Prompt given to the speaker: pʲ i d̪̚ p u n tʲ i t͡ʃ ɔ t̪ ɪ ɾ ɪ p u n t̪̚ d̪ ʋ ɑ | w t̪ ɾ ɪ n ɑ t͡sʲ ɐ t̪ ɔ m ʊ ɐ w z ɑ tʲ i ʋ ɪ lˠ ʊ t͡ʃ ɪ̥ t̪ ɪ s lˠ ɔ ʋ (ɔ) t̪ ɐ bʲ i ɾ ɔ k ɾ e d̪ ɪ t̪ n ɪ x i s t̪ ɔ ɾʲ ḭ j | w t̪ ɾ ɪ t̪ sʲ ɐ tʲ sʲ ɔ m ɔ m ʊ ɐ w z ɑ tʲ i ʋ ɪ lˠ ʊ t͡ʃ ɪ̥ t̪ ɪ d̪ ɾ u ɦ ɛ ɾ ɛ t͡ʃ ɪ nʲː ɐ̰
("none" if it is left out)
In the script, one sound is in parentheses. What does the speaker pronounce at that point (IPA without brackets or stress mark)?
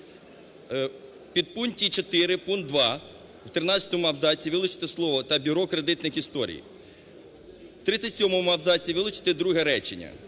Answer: ɔ